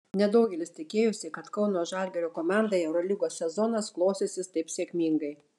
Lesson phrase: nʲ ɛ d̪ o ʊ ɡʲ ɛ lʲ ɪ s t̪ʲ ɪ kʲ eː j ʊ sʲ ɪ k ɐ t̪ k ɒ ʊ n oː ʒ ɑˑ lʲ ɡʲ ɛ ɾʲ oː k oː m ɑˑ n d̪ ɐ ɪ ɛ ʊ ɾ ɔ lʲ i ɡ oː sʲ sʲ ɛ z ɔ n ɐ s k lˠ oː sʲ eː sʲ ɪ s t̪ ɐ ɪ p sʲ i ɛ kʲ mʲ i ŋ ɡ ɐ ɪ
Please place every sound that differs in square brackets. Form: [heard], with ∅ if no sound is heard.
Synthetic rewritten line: nʲ ɛ d̪ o ʊ ɡʲ ɛ lʲ ɪ s t̪ʲ ɪ kʲ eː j ʊ sʲ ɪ k ɐ t̪ k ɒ ʊ n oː ʒ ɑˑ lʲ ɡʲ ɛ ɾʲ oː k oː m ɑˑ n d̪ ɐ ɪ ɛ ʊ ɾ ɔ lʲ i ɡ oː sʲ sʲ ɛ z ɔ n ɐ s k lˠ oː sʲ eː sʲ ɪ s t̪ ɐ ɪ p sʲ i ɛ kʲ mʲ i ŋ ɡ ɐ ɪ

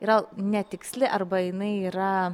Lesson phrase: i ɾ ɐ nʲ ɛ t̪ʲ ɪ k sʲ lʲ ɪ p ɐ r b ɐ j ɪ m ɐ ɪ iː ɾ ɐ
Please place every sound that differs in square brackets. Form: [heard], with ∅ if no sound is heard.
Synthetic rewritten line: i ɾ ɐ nʲ ɛ t̪ʲ ɪ k sʲ lʲ ɪ [ʔ] ɐ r b ɐ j ɪ [n] ɐ ɪ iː ɾ ɐ

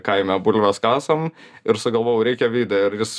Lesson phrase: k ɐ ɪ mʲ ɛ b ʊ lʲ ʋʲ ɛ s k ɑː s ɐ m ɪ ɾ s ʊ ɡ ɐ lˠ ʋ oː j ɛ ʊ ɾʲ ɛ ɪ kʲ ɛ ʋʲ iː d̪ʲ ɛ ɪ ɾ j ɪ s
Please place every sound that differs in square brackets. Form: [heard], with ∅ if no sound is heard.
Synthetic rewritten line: k ɐ ɪ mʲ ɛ b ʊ lʲ ʋʲ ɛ s k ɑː s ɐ m ɪ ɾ s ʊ ɡ ɐ lˠ ʋ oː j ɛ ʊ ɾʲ ɛ ɪ kʲ ɛ ʋʲ iː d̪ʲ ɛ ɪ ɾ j ɪ s

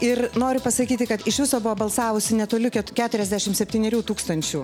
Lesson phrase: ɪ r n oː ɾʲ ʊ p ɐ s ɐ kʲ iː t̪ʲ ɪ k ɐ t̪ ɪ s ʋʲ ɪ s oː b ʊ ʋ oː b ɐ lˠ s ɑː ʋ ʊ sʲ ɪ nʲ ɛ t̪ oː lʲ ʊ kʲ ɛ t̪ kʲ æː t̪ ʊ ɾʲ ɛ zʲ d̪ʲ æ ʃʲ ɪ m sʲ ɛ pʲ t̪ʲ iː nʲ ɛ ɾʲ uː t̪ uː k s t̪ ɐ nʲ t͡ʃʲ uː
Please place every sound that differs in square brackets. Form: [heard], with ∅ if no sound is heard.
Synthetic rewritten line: ɪ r n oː ɾʲ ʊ p ɐ s ɐ kʲ iː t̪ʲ ɪ k ɐ t̪ ɪ [ʃ] ʋʲ ɪ s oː b ʊ ʋ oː b ɐ lˠ s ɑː ʋ ʊ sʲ ɪ nʲ ɛ t̪ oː lʲ ʊ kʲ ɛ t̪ kʲ æː t̪ ʊ ɾʲ ɛ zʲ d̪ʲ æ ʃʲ ɪ m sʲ ɛ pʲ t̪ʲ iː nʲ ɛ ɾʲ uː t̪ uː k s t̪ ɐ nʲ t͡ʃʲ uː

